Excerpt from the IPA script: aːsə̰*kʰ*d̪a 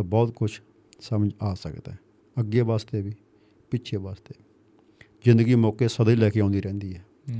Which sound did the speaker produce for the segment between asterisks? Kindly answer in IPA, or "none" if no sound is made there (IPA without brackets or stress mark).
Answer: k